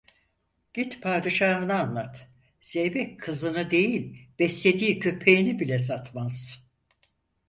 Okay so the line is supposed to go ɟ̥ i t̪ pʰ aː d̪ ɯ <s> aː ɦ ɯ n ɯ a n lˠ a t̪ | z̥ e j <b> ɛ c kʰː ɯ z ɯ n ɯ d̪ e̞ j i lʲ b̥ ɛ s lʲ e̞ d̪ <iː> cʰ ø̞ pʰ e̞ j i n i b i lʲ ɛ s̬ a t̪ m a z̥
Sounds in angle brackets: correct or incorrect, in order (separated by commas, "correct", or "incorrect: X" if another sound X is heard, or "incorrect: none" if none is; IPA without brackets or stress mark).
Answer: incorrect: ʃ, correct, correct